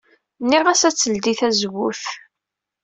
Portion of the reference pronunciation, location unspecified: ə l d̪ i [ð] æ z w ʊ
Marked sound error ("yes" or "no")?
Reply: yes